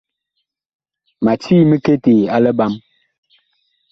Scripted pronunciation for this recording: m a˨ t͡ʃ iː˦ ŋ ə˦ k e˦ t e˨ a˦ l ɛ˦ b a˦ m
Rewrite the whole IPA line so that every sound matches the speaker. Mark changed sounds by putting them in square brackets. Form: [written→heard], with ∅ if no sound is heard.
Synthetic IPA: m a˨ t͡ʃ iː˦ [ŋ→m] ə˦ k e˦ t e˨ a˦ l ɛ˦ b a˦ m

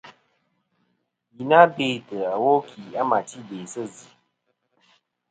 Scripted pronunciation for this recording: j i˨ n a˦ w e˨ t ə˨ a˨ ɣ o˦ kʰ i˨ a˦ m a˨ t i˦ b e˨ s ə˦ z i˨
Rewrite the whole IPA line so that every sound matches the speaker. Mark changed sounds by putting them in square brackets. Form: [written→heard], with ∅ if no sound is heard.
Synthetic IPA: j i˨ n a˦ [w→b] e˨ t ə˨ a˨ [ɣ→w] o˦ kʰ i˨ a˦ m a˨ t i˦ b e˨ s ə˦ z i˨

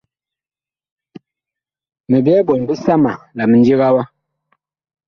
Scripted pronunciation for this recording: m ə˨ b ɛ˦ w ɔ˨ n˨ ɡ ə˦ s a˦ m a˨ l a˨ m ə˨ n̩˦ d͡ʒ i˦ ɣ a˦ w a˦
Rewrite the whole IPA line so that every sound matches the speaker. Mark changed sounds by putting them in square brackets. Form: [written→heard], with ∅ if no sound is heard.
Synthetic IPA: m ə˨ b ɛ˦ [w→b] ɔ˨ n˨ [ɡ→b] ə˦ s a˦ m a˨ l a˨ m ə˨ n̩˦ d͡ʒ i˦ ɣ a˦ w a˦

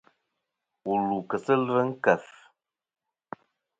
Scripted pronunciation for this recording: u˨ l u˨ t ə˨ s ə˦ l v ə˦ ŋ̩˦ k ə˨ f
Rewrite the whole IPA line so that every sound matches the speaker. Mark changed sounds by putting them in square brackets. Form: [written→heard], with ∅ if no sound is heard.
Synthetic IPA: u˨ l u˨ [t→k] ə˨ s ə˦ l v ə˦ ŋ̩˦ k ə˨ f

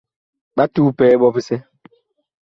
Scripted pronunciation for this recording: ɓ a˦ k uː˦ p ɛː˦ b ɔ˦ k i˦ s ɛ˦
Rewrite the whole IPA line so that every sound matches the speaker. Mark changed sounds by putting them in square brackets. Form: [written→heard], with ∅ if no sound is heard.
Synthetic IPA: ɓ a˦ [k→t] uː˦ p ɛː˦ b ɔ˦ [k→p] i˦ s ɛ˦

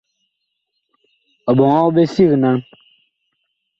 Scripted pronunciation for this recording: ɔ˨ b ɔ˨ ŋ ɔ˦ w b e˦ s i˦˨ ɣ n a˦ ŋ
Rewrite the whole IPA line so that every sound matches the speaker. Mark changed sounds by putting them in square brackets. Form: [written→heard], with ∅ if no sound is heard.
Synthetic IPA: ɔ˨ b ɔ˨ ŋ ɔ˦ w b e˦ s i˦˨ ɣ n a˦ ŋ

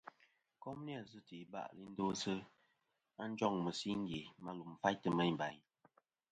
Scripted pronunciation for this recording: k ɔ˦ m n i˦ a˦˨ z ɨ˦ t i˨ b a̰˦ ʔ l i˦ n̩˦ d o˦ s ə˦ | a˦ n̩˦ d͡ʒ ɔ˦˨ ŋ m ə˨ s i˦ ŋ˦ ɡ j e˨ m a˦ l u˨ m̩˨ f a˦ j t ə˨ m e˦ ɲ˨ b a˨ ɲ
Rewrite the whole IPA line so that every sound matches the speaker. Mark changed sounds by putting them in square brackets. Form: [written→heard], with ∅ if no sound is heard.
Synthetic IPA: k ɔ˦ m n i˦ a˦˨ z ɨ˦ t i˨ b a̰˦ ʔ l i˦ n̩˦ d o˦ s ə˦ | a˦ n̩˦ d͡ʒ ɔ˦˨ ŋ m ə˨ s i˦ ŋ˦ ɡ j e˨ m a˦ l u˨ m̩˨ f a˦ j t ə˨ m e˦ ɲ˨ b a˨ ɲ

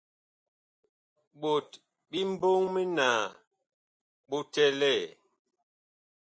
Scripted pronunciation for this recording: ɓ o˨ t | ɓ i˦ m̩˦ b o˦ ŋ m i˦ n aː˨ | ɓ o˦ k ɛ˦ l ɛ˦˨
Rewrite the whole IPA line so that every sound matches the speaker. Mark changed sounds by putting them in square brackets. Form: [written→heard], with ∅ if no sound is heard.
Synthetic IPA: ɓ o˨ t | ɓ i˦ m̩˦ b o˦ ŋ m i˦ n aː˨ | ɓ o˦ [k→t] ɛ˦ l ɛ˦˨

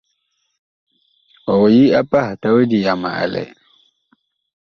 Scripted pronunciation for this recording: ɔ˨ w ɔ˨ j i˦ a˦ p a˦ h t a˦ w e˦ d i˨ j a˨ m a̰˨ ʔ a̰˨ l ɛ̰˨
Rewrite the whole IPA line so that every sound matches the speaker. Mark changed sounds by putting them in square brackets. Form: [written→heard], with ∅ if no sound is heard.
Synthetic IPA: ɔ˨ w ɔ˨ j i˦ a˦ p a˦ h t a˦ w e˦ d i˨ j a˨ m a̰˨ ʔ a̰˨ l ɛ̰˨

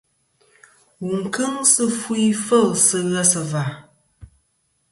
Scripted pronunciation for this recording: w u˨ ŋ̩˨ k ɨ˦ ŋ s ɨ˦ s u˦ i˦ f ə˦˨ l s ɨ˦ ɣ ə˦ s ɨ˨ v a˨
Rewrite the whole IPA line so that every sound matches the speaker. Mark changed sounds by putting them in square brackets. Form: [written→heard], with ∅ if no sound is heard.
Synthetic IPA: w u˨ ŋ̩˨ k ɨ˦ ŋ s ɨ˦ [s→f] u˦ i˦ f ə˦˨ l s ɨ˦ ɣ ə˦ s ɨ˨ v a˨

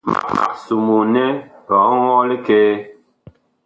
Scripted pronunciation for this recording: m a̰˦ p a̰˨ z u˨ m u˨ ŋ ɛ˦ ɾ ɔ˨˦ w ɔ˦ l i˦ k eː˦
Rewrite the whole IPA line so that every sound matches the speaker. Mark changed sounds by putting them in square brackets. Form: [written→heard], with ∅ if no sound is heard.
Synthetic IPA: m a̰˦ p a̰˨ [z→s] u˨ m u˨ [ŋ→n] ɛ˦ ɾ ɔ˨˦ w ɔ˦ l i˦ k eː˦

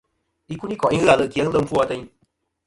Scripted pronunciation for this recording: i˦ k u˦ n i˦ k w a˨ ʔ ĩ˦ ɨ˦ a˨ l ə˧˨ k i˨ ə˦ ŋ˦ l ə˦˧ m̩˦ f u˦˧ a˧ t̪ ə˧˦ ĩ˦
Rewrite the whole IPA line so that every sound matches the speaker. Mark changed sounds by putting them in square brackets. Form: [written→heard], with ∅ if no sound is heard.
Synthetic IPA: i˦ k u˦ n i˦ k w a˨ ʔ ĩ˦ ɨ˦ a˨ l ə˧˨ k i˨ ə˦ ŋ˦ l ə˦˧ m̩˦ f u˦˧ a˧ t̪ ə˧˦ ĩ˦

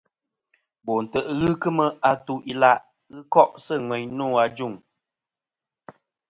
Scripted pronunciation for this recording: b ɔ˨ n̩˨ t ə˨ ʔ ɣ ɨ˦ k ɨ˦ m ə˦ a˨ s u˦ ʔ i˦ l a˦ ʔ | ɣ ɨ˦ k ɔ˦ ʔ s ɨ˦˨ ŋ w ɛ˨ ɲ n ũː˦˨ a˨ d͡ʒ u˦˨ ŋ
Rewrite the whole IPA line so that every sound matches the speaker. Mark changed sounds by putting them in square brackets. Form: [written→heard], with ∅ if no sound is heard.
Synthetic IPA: b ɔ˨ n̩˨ t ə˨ ʔ ɣ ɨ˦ k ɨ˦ m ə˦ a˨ [s→t] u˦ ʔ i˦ l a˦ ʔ | ɣ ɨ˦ k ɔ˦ ʔ s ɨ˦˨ ŋ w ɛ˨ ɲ n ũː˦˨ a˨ d͡ʒ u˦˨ ŋ

